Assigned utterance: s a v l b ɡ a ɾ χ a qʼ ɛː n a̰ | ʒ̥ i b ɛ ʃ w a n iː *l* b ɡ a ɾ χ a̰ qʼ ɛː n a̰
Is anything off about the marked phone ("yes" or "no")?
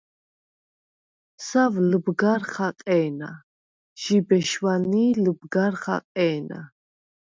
no